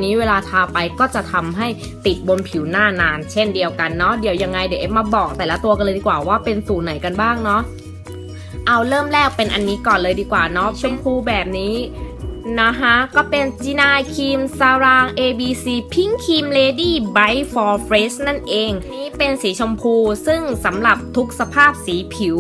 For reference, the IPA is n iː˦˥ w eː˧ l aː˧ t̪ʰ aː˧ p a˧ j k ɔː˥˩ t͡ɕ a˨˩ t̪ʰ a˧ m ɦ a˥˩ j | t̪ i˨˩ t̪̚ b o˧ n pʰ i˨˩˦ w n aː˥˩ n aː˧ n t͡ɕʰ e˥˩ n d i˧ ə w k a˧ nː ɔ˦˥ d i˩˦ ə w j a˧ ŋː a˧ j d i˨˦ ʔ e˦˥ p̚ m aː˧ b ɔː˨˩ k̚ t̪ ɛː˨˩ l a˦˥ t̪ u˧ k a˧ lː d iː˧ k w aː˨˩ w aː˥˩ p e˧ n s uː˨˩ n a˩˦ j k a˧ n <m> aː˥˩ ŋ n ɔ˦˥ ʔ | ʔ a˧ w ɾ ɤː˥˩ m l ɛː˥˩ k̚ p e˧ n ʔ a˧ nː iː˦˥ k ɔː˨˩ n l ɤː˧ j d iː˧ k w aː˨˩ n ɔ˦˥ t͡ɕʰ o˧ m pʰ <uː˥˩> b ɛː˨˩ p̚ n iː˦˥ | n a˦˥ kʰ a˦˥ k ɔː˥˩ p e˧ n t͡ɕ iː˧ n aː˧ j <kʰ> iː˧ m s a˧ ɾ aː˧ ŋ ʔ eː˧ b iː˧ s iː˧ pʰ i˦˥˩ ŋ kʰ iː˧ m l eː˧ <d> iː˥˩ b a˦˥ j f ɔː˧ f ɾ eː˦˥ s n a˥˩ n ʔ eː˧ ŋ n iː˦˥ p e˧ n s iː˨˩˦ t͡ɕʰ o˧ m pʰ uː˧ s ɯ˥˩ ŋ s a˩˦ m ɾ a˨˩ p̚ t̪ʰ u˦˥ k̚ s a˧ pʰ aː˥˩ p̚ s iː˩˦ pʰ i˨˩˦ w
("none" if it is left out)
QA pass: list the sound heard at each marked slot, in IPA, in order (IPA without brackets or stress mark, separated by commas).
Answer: b, uː˧, kʰ, d